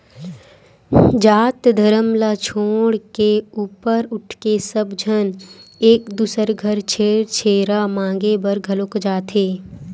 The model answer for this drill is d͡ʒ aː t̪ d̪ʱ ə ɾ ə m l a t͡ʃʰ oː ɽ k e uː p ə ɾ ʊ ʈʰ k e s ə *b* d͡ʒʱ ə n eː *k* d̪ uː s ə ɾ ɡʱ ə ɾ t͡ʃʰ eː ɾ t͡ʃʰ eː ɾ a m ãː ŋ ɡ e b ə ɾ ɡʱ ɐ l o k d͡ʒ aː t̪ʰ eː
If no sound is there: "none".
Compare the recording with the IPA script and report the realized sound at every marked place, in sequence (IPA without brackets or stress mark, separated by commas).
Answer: b, k